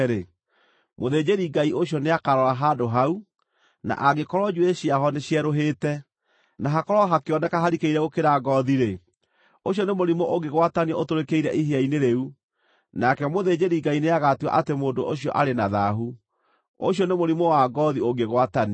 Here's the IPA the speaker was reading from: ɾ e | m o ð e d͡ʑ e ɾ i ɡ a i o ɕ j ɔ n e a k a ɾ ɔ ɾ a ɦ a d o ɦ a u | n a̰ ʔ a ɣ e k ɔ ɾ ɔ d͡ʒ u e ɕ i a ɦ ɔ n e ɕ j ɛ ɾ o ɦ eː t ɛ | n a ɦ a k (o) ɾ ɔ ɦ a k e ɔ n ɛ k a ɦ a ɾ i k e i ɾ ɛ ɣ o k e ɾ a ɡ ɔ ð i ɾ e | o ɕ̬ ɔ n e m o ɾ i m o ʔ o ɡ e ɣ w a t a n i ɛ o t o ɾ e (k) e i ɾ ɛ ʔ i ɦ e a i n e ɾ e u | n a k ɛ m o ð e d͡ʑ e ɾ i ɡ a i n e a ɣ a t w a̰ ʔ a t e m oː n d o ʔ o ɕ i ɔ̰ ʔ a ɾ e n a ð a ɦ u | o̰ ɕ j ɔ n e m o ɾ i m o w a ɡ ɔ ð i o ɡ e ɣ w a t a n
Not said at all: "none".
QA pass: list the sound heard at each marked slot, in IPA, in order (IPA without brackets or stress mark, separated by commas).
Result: ɔ, k